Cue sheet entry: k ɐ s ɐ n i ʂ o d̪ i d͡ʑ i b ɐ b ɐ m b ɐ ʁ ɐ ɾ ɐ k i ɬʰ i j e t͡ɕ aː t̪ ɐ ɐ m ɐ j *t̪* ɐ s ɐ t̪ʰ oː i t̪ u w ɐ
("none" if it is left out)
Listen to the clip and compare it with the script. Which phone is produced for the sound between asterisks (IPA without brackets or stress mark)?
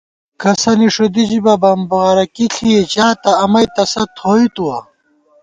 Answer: t̪